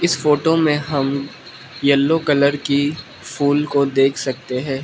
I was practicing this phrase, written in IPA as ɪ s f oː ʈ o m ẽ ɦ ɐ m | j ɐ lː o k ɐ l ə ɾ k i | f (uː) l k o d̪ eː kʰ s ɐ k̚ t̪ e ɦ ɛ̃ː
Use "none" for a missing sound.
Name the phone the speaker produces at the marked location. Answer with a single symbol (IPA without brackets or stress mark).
uː